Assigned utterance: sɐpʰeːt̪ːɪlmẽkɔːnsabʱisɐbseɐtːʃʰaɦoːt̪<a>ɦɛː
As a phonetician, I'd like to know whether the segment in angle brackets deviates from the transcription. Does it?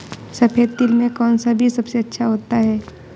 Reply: no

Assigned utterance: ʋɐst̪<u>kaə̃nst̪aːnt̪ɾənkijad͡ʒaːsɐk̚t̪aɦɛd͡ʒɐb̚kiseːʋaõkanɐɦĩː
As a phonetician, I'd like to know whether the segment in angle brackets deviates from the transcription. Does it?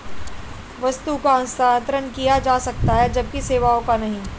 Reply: no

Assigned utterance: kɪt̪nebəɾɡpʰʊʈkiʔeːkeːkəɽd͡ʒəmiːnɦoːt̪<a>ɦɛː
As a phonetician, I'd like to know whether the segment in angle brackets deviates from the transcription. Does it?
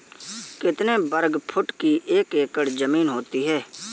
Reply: yes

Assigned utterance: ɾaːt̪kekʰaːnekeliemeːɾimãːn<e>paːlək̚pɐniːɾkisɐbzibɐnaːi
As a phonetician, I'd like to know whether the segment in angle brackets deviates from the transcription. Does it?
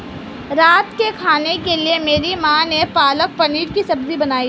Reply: no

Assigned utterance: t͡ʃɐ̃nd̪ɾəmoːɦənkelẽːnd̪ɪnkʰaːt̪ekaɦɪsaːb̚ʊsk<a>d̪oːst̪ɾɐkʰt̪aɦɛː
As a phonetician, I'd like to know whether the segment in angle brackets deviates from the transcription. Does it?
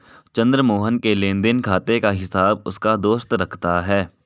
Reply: no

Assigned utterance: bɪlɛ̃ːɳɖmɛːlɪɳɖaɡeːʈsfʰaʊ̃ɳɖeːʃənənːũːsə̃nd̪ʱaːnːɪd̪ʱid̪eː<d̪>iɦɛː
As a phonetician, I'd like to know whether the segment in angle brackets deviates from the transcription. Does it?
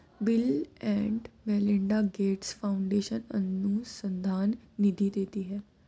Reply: yes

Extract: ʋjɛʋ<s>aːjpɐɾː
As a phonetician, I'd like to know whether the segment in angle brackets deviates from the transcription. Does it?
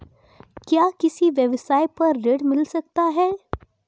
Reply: no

